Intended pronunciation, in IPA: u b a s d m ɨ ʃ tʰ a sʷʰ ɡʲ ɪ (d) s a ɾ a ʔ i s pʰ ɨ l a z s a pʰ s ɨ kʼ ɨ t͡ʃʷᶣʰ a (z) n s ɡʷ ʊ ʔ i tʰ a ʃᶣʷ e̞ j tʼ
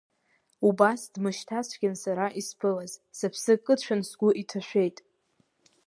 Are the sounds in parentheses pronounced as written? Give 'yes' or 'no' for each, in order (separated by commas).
no, no